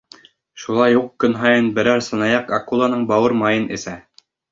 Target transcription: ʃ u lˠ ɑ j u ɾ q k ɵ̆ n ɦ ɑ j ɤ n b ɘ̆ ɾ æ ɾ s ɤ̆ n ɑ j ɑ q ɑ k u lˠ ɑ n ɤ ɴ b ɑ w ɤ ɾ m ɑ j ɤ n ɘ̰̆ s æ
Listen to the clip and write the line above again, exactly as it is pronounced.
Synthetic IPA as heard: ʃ u lˠ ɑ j u q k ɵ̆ n ɦ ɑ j ɤ n b ɘ̆ ɾ æ ɾ s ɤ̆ n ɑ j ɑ q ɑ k u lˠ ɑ n ɤ ɴ b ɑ w ɤ ɾ m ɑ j ɤ n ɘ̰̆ s æ

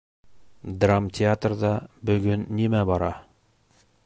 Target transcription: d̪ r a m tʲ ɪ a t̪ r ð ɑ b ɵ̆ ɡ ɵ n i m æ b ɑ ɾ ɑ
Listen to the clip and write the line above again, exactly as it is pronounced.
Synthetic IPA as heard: d̪ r a m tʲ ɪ a t̪ r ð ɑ b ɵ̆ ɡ ɵ nː i m æ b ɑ ɾ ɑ

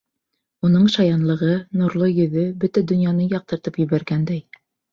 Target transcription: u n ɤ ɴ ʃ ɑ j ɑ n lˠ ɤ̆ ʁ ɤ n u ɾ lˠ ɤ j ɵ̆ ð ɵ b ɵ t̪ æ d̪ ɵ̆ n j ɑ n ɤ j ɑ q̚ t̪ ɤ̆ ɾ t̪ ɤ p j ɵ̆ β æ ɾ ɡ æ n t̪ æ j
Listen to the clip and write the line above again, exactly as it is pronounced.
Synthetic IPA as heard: u n ɤ ɴ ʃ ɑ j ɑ n lˠ ɤ̆ ʁ ɤ n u ɾ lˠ ɤ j ɵ̆ ð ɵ b ɵ t̪ æ d̪ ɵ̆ n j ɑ n ɤ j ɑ q̚ t̪ ɤ̆ ɾ t̪ ɤ p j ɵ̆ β æ ɾ ɡ æ n d̪ æ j

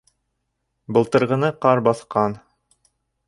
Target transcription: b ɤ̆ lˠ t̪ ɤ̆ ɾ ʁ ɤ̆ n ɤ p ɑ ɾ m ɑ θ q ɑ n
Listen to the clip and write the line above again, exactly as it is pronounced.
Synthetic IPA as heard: b ɤ̆ lˠ t̪ ɤ̆ ɾ ʁ ɤ̆ n ɤ q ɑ ɾ b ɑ θ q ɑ n

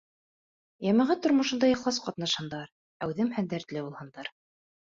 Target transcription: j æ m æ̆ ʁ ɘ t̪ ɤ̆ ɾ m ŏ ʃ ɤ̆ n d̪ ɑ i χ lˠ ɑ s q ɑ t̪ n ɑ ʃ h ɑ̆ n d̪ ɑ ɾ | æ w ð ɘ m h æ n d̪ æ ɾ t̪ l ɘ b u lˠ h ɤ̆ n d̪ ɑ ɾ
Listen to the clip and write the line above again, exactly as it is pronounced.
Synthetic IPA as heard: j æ m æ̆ ʁ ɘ t̪ ŏ ɾ m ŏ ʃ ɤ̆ n d̪ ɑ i χ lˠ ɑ s q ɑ t̪ n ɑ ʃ h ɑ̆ n d̪ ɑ ɾ | æ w ð ɘ m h æ n d̪ æ ɾ t̪ l ɘ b u lˠ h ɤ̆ n d̪ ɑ ɾ

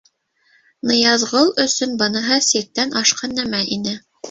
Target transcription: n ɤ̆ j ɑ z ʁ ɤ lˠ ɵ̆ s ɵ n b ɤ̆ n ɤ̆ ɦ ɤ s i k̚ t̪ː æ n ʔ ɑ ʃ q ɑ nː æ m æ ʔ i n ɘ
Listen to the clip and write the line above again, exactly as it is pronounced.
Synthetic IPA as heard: n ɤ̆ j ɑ z ʁ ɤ lˠ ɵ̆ s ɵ n b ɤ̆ n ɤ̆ ɦ ɤ s i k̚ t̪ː æ n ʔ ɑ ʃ q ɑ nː æ m æ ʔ i n ɘ

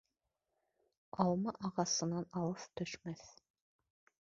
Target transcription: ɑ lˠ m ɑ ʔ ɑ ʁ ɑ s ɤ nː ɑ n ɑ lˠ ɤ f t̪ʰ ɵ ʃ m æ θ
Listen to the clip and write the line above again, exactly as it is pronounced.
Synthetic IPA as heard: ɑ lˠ m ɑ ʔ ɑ ʁ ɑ s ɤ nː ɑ n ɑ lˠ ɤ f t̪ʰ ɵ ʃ m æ θ

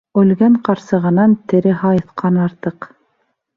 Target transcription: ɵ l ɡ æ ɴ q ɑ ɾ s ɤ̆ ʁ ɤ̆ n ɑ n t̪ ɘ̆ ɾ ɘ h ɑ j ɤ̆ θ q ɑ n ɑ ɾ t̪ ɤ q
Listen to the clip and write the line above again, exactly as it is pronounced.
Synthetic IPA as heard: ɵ l ɡ æ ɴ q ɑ ɾ s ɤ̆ ʁ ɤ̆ n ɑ n t̪ ɘ̆ ɾ ɘ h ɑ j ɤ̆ θ q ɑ n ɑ ɾ t̪ ɤ q

